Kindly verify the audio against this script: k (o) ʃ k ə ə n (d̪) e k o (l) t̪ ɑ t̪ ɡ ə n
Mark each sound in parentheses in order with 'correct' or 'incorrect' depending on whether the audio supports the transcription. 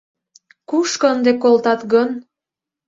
incorrect: u, correct, correct

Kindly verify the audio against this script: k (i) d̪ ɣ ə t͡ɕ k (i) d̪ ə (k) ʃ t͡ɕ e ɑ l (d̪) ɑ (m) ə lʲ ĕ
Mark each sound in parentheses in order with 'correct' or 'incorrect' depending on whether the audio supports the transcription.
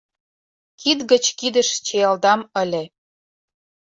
correct, correct, incorrect: none, correct, correct

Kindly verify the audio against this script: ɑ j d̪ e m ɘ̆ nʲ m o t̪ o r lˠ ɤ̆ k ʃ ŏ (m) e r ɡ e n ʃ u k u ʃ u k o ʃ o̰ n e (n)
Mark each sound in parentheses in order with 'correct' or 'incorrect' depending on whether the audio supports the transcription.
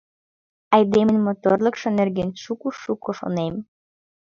incorrect: n, incorrect: m

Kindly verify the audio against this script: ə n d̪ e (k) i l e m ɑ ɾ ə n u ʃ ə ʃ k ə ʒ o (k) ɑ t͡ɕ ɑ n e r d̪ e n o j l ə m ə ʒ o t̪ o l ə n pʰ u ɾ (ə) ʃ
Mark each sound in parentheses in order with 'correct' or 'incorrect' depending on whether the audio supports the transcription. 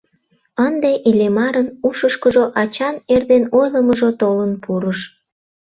incorrect: ʔ, incorrect: ʔ, correct

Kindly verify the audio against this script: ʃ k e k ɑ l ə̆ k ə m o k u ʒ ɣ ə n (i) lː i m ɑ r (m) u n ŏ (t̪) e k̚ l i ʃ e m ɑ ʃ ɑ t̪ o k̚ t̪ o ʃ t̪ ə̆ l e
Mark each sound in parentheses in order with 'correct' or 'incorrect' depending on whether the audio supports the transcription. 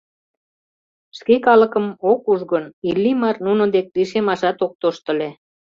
correct, incorrect: n, incorrect: d̪

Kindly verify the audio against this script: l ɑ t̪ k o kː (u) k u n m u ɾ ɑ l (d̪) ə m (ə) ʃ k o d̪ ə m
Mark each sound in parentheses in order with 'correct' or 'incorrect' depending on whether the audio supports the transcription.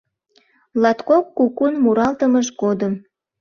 correct, incorrect: t̪, correct

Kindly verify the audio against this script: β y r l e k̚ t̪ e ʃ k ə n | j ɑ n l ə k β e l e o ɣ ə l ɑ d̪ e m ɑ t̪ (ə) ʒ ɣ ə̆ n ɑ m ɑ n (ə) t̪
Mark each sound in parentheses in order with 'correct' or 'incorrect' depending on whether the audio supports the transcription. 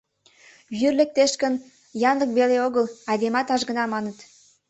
incorrect: ɑ, correct

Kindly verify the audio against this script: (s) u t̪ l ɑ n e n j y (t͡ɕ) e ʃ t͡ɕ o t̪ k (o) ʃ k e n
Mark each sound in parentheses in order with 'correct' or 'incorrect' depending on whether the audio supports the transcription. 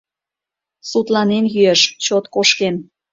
correct, incorrect: none, correct

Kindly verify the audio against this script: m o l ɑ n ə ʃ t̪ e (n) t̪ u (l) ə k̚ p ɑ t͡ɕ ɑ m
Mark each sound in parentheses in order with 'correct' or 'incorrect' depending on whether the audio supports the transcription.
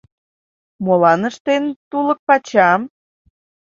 correct, correct

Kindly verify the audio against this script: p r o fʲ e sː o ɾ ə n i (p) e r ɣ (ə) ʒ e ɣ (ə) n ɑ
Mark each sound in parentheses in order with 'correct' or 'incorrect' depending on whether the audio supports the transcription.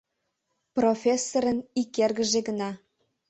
incorrect: k, correct, correct

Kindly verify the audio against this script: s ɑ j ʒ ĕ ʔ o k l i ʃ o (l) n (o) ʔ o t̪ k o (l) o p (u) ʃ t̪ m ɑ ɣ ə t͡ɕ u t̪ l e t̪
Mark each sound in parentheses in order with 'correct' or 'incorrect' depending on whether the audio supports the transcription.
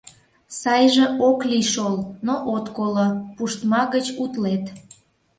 correct, correct, correct, correct

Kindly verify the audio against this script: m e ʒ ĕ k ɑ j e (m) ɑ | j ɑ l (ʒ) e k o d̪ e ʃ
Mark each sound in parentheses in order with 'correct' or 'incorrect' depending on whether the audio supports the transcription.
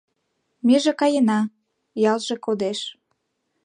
incorrect: n, correct

